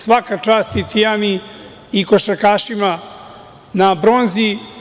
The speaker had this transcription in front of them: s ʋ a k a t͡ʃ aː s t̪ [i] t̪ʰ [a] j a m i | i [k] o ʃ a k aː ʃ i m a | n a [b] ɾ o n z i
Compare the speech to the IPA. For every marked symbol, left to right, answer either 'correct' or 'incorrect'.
correct, incorrect: i, correct, correct

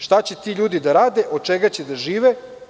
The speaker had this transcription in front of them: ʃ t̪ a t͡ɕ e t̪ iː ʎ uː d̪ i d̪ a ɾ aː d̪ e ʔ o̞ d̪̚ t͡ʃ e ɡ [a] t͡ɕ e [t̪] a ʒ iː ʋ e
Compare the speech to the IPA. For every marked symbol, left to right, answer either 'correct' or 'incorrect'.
correct, incorrect: d̪

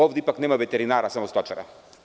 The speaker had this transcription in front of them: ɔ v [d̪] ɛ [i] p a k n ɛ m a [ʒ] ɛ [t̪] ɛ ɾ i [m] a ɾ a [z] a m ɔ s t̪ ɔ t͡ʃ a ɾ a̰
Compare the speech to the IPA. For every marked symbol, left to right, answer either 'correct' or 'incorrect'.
correct, correct, incorrect: v, correct, incorrect: n, incorrect: s

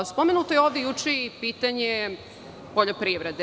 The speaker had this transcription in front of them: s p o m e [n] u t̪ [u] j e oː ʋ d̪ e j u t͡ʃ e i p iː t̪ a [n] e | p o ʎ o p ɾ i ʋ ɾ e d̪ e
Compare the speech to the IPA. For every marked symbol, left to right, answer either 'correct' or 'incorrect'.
correct, incorrect: o, incorrect: ɲ

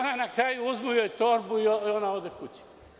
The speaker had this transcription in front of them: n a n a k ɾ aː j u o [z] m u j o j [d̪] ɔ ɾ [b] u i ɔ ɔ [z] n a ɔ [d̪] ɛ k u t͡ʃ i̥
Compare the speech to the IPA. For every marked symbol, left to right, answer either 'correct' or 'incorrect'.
correct, incorrect: t̪, correct, incorrect: none, correct

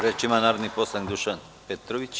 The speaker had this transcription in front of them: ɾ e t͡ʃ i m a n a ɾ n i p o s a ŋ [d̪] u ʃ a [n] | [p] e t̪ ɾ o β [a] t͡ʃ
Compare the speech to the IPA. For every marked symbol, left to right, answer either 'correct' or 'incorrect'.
correct, correct, correct, incorrect: i

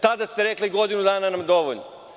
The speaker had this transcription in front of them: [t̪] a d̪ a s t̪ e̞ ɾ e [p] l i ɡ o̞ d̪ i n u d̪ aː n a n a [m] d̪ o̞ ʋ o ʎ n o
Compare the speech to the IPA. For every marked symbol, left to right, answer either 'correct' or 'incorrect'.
correct, incorrect: k, correct

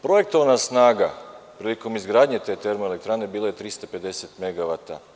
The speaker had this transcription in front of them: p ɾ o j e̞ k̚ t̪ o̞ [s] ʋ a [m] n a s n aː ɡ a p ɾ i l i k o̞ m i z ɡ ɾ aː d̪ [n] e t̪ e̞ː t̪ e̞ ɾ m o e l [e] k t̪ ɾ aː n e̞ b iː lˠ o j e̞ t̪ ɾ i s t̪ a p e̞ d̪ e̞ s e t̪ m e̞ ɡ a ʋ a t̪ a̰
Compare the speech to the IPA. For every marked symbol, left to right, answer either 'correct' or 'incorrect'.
incorrect: none, incorrect: none, incorrect: ɲ, correct

